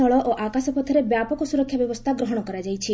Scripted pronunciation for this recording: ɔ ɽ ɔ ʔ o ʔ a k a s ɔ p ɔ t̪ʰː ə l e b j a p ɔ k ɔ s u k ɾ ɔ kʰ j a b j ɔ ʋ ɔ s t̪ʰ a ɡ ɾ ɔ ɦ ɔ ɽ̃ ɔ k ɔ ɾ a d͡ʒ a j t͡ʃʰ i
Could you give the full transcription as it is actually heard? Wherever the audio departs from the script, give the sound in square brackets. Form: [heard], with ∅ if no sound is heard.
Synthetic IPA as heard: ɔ [ɭ] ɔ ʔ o ʔ a k a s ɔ p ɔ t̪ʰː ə [ɾ] e b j a p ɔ k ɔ s u [∅] ɾ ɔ kʰ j a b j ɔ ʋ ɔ s t̪ʰ a ɡ ɾ ɔ ɦ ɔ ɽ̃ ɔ k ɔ ɾ a d͡ʒ a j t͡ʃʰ i

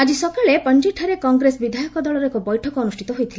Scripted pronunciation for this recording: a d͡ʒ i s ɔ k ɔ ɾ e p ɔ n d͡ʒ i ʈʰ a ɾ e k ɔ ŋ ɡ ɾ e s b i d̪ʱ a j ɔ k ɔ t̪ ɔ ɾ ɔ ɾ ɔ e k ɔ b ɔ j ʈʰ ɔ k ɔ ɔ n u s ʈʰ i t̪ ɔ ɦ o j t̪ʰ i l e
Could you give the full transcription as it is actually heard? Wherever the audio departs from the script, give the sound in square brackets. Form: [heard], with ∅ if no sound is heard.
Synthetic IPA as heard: a d͡ʒ i s ɔ k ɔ [ɭ] e p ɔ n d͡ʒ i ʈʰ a ɾ e k ɔ ŋ ɡ ɾ e s b i d̪ʱ a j ɔ k ɔ [d̪] ɔ [ɭ] ɔ ɾ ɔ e k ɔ b ɔ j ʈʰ ɔ k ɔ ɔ n u s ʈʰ i t̪ ɔ ɦ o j t̪ʰ i l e

